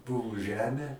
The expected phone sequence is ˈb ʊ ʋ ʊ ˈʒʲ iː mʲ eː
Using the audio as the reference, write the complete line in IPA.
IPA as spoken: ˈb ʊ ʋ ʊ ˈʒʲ æː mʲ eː